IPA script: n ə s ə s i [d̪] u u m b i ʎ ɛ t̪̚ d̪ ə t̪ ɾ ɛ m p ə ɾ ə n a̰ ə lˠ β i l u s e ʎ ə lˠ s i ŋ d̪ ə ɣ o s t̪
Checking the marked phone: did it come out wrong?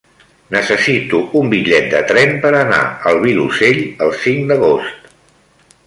yes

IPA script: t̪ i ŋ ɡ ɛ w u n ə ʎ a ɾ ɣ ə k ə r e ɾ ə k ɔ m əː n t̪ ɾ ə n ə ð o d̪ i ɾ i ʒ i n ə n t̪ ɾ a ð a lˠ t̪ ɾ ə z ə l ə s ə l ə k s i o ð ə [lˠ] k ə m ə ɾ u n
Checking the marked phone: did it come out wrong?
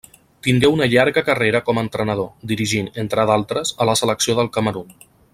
no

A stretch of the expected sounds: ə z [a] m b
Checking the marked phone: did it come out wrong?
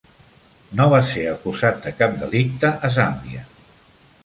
no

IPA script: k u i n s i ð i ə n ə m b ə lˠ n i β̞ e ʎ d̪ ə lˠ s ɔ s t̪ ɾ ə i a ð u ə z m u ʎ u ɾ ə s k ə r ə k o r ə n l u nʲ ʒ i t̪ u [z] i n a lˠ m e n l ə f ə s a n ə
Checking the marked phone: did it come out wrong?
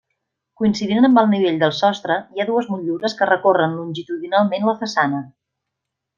yes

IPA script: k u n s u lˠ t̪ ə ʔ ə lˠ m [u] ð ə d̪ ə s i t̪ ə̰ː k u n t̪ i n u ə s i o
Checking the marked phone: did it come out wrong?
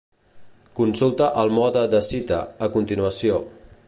yes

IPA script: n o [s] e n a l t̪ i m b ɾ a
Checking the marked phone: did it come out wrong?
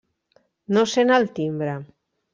no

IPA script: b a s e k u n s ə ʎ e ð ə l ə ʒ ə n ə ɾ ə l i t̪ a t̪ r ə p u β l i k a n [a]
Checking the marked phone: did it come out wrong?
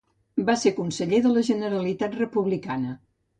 yes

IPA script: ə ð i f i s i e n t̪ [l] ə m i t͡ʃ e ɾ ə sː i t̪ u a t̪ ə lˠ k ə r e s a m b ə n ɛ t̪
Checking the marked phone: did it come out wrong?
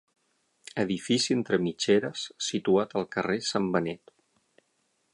yes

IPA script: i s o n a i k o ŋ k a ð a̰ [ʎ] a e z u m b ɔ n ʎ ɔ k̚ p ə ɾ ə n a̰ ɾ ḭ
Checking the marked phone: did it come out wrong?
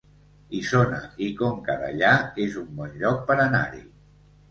no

